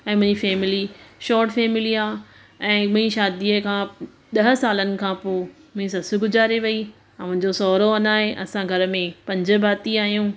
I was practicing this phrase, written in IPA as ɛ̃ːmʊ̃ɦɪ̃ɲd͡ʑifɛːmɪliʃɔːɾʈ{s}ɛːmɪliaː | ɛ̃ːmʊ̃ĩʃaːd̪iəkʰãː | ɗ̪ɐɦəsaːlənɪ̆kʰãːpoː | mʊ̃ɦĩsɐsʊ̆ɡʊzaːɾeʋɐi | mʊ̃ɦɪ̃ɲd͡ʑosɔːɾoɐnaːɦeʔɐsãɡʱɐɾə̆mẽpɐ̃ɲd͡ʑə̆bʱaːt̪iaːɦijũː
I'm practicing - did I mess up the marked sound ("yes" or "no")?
yes